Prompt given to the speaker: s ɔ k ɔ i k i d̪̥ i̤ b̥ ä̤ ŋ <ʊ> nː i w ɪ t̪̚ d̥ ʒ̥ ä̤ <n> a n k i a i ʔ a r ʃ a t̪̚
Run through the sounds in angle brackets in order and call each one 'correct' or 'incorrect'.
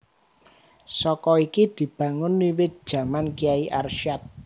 correct, incorrect: m

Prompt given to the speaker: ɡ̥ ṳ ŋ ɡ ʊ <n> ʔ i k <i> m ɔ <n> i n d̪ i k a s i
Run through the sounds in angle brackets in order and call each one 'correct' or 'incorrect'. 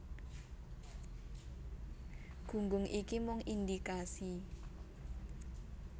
incorrect: ŋ, correct, incorrect: ŋ

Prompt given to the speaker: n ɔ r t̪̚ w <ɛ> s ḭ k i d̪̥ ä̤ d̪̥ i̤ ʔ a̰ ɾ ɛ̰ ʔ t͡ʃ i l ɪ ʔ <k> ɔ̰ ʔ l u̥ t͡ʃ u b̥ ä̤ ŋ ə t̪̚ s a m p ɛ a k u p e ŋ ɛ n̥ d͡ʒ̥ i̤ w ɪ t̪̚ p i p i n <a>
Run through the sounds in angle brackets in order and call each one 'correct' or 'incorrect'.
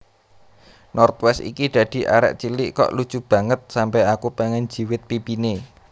correct, correct, incorrect: e

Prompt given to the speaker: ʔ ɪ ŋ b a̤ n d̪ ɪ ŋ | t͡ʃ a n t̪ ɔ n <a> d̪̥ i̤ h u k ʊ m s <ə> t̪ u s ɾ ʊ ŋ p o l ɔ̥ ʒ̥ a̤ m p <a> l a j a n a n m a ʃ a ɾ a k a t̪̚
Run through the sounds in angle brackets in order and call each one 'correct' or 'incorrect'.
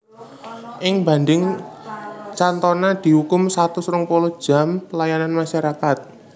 correct, incorrect: a, incorrect: ə

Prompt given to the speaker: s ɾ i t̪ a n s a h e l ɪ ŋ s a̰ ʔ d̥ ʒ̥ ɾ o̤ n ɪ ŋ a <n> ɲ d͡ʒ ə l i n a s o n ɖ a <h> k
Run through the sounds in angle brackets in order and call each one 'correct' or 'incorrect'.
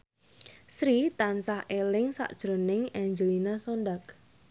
incorrect: none, incorrect: none

